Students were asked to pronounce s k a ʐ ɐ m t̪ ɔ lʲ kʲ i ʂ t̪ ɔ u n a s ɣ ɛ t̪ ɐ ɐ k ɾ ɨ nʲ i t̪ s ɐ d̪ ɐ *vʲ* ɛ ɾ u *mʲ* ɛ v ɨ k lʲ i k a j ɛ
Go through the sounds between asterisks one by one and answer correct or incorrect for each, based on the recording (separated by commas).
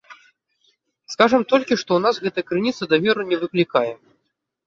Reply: correct, incorrect